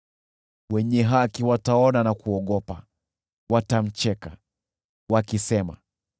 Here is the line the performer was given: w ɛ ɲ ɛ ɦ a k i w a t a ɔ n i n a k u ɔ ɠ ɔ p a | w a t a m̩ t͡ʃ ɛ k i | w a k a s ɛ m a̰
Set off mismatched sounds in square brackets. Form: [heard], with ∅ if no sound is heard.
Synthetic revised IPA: w ɛ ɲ ɛ ɦ a k i w a t a ɔ n [a] n a k u ɔ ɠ ɔ p a | w a t a m̩ t͡ʃ ɛ k [a] | w a k [i] s ɛ m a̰